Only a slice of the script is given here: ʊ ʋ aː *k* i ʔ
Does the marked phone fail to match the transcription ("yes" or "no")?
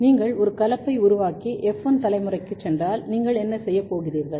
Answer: no